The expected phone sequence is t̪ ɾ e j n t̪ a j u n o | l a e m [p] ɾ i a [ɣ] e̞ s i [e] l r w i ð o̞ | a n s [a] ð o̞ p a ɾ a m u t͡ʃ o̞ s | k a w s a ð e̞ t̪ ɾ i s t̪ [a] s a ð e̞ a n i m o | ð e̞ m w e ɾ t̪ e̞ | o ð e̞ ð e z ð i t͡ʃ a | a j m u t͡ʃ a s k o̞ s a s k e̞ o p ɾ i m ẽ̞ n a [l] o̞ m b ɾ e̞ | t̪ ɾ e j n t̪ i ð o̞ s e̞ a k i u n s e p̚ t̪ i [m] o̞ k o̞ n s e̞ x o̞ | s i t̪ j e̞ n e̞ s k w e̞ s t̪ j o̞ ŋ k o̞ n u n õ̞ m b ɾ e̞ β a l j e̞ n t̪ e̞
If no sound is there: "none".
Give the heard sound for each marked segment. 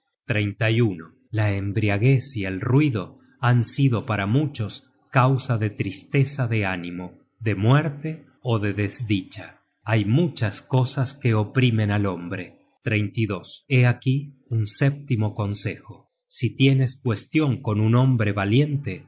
b, ɣ, e, i, e, l, m

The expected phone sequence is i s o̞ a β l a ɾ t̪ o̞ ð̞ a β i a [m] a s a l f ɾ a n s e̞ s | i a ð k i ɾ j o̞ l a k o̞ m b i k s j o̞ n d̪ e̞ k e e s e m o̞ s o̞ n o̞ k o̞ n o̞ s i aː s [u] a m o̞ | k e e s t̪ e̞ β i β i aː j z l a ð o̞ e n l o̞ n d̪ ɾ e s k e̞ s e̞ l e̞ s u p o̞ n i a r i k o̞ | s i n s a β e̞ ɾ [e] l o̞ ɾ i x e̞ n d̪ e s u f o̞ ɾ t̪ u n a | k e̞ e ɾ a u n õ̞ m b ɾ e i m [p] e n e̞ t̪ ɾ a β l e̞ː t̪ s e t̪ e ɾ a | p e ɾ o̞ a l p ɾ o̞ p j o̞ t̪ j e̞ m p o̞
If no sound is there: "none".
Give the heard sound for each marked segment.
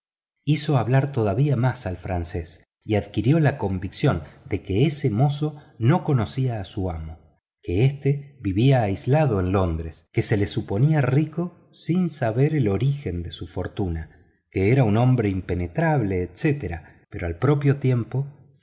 m, u, e, p

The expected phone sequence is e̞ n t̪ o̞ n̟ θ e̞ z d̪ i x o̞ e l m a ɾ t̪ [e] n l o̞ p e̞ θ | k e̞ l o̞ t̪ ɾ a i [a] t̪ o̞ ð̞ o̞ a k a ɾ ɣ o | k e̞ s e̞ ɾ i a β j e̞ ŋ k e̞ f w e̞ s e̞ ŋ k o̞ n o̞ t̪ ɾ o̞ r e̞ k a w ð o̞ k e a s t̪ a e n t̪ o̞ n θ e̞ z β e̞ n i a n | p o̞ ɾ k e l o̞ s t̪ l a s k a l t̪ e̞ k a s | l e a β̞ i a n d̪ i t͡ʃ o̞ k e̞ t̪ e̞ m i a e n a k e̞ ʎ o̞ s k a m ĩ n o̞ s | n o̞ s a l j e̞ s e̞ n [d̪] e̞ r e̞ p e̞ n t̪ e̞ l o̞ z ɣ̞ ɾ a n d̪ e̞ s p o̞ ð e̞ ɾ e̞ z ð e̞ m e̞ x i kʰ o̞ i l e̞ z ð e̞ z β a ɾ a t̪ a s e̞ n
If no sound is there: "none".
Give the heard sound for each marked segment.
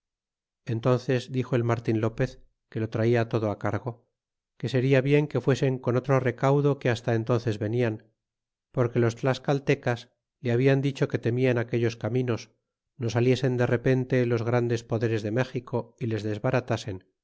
i, a, d̪

